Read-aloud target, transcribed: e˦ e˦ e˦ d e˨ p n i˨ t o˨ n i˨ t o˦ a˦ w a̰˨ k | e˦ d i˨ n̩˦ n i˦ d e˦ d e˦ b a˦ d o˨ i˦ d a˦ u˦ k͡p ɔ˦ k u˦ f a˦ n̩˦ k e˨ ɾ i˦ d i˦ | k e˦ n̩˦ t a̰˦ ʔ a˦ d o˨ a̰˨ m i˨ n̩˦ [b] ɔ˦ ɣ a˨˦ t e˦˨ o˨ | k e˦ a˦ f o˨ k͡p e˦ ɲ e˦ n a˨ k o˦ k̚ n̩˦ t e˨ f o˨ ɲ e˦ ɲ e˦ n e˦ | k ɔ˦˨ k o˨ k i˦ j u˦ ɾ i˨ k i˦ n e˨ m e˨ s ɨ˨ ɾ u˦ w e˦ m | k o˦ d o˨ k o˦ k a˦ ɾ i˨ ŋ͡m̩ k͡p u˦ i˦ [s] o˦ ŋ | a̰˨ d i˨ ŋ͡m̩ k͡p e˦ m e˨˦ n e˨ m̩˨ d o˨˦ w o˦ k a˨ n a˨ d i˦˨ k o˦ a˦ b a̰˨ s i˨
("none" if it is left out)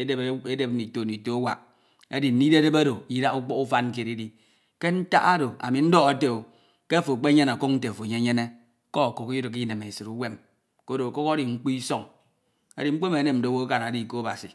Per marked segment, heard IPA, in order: d, s

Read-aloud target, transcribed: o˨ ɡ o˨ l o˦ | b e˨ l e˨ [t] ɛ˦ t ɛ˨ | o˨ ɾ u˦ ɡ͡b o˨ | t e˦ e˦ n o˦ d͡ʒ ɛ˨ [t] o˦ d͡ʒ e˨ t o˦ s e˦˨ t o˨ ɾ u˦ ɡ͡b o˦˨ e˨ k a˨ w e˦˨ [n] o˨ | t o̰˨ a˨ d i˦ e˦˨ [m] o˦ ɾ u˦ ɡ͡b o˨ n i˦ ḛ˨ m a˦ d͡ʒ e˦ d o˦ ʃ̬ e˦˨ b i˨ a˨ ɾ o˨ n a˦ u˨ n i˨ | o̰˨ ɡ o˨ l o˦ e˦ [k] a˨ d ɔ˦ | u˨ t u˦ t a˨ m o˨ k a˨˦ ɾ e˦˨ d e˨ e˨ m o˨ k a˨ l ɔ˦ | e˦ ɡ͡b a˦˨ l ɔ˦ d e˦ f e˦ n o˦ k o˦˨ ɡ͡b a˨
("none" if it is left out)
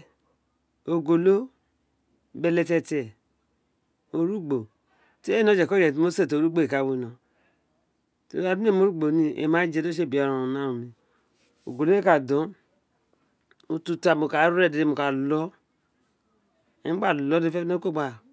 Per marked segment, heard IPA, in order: t, k, n, m, k

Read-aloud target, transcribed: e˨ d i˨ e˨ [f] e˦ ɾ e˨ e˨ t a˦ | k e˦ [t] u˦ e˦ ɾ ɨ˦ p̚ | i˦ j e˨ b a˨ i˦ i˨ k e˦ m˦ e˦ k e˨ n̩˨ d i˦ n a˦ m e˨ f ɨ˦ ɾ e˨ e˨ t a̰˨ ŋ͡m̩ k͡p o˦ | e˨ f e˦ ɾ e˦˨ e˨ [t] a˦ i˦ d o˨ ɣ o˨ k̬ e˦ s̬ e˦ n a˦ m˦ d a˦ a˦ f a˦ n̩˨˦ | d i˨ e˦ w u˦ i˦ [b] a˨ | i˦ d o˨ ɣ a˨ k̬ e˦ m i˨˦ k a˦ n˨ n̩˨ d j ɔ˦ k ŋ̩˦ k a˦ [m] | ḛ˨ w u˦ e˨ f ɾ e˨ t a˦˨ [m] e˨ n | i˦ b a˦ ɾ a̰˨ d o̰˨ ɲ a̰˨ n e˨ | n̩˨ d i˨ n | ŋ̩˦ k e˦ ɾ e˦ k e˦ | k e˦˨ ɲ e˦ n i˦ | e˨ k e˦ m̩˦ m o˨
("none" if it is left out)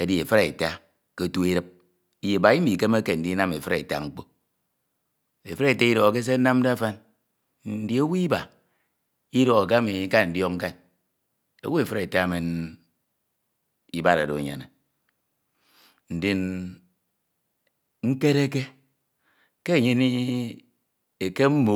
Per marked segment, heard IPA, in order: f, t, t, b, n, m

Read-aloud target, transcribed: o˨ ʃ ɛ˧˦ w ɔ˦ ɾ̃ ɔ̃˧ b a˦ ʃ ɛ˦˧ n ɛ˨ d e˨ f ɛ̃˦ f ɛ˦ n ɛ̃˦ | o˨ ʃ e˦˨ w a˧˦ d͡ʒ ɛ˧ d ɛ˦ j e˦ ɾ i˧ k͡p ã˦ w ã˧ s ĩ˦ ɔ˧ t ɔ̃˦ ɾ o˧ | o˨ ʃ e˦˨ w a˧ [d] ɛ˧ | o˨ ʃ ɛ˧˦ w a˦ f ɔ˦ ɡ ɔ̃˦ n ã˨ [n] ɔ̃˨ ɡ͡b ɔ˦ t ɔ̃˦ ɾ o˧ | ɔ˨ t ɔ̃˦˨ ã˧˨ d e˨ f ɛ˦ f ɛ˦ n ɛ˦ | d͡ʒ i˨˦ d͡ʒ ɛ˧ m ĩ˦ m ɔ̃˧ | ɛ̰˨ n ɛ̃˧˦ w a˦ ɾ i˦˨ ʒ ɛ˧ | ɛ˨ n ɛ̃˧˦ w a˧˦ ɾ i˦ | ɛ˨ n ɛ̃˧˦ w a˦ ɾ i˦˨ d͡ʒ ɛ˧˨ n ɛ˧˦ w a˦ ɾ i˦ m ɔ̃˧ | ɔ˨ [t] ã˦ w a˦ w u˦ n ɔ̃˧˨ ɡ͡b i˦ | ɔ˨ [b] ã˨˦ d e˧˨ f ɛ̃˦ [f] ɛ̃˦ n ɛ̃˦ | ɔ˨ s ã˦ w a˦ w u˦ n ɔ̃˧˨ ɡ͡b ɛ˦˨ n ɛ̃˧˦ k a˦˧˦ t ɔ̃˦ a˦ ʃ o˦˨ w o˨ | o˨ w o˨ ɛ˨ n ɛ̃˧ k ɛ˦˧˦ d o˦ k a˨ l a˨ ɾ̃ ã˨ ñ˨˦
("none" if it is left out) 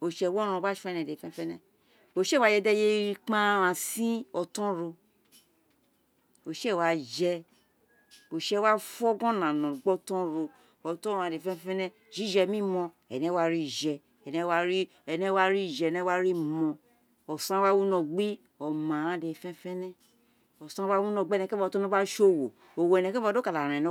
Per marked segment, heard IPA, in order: d͡ʒ, n, s, m, f

